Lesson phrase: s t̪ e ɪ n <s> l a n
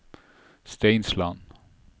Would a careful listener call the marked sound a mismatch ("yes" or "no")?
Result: no